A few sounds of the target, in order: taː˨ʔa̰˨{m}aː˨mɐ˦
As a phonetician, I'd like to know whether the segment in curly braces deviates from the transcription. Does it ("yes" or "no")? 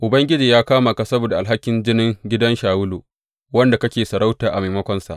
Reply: no